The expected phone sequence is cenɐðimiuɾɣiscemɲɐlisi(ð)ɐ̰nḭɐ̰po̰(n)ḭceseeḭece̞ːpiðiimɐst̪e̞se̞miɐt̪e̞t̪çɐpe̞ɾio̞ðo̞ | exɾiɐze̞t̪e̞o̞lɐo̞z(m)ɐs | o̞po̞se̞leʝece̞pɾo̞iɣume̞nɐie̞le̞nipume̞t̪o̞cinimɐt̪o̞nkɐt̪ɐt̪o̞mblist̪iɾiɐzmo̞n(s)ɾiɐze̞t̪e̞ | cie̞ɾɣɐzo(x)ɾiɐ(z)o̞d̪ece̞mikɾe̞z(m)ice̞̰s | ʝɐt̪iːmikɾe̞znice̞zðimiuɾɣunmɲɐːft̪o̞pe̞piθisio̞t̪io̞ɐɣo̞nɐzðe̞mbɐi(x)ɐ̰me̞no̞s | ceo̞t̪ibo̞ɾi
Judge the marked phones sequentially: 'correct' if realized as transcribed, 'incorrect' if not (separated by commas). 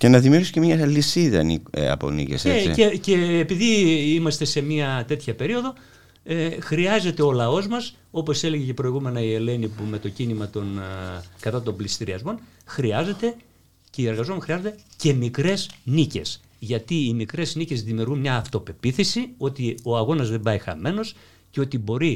correct, correct, correct, incorrect, correct, correct, incorrect, correct